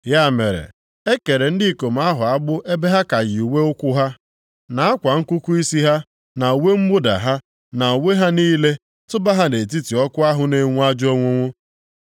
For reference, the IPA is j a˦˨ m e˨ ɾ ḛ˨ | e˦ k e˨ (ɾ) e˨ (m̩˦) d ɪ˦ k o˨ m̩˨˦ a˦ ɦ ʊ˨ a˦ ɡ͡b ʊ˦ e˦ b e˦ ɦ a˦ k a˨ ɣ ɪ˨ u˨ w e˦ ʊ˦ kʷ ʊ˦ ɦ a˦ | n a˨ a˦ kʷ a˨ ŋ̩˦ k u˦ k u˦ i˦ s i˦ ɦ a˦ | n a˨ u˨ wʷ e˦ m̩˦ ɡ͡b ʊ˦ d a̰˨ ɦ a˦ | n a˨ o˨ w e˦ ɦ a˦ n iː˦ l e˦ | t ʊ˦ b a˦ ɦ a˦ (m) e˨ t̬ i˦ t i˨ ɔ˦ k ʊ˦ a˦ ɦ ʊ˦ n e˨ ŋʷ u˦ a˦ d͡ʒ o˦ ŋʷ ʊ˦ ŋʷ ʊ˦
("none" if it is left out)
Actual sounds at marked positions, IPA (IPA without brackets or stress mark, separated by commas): ɾ, n̩˦, n